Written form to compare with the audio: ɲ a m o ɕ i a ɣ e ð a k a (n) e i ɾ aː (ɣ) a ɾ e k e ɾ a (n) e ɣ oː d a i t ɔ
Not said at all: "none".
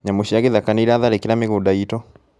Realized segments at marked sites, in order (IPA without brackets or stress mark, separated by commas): n, ð, m